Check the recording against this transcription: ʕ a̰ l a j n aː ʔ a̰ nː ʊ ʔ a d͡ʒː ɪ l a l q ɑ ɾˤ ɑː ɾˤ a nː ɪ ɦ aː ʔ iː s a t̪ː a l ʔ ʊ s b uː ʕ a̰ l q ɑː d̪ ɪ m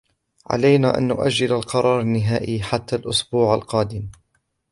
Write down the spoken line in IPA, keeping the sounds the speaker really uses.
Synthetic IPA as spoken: ʕ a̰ l a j n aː ʔ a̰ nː ʊ ʔ a d͡ʒː ɪ l a l q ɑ ɾˤ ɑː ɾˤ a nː ɪ ɦ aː ʔ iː ħ a t̪ː a l ʔ ʊ s b uː ʕ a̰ l q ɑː d̪ ɪ m